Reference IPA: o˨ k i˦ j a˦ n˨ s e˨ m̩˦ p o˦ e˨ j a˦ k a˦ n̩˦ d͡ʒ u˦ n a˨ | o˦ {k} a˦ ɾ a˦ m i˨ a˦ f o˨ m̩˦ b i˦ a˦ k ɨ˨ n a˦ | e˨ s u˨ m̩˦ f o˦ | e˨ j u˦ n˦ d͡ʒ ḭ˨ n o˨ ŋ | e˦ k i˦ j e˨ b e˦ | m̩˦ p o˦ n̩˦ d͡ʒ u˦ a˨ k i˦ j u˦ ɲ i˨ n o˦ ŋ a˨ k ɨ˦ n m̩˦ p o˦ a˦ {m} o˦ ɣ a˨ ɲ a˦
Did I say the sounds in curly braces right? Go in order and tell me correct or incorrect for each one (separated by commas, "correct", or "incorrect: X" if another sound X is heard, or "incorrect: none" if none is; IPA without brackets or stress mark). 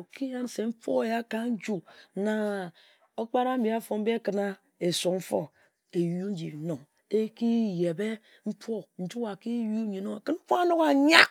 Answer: incorrect: k͡p, incorrect: n